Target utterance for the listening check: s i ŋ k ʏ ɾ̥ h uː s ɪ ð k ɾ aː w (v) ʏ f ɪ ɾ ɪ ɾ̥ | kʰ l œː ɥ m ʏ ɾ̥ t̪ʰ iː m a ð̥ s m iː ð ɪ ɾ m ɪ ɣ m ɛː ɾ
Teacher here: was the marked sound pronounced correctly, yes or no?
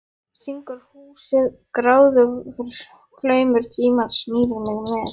no